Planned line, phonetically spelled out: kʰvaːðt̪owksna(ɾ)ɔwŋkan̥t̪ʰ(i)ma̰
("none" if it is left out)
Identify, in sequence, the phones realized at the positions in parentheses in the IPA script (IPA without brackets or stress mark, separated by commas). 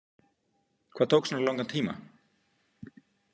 l, iː